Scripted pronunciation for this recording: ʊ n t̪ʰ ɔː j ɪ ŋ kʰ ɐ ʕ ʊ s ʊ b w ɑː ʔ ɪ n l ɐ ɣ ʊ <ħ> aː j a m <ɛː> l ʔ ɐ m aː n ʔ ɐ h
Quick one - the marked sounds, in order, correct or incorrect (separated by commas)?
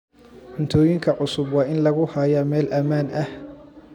incorrect, correct